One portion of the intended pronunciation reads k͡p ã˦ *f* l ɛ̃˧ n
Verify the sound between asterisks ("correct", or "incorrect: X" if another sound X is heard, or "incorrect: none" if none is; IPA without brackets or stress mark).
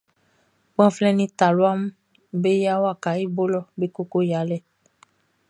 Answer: correct